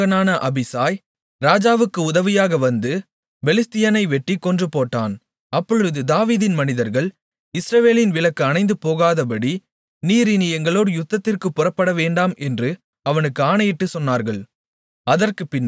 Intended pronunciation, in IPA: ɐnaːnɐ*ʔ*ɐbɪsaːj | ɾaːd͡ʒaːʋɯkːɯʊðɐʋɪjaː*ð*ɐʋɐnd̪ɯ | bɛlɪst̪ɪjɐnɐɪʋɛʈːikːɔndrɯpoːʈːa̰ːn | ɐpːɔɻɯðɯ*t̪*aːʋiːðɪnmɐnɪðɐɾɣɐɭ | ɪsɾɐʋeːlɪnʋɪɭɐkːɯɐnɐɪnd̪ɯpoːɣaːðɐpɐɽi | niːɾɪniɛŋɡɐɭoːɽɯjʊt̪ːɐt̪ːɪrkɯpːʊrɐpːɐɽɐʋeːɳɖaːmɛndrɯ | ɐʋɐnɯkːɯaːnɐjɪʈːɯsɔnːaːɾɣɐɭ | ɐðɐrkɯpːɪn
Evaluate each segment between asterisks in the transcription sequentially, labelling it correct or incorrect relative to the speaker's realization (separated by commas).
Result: correct, incorrect, incorrect